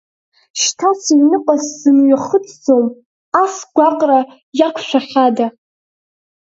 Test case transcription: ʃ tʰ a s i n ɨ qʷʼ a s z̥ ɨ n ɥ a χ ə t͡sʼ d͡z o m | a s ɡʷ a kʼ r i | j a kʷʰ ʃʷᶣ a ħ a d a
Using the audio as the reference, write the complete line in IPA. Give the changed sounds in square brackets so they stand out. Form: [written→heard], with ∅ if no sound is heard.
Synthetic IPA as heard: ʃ tʰ a s i n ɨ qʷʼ a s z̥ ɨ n ɥ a χ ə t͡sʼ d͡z o m | a s ɡʷ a [kʼ→qʼ] r [i→a] | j a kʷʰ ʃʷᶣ a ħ a d a